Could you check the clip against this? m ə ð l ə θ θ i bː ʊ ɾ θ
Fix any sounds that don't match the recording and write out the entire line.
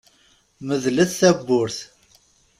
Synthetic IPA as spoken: m ə ð l ə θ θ æ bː ʊ ɾ θ